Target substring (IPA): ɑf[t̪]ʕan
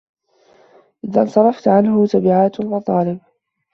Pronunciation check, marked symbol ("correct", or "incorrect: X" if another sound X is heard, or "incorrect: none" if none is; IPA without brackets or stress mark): correct